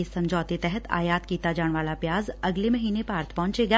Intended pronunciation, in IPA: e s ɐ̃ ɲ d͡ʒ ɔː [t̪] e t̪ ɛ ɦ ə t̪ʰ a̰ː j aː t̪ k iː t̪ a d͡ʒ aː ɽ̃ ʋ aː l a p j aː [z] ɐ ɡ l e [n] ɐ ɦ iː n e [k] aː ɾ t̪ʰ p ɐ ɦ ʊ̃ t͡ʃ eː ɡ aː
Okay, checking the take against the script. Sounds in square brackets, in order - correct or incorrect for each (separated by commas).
correct, correct, incorrect, incorrect